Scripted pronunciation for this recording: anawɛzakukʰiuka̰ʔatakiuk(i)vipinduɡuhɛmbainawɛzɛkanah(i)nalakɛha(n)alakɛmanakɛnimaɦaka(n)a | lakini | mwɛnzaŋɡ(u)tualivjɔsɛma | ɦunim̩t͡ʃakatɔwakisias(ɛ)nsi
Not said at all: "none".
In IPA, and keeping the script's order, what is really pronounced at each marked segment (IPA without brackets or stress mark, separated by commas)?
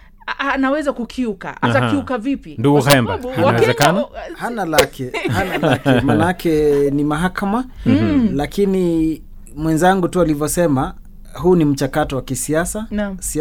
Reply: a, a, n, m, u, a